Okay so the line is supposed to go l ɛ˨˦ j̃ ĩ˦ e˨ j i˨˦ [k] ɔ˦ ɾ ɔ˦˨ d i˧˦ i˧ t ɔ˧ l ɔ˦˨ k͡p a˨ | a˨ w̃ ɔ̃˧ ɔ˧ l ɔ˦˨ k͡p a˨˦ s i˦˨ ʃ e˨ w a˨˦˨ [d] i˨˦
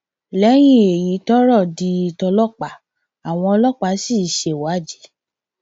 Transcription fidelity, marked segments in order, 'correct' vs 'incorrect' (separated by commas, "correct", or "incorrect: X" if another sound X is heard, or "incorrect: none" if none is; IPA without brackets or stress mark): incorrect: t, incorrect: d͡ʒ